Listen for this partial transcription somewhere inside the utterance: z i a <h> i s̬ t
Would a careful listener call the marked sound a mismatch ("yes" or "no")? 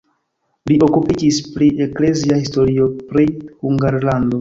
no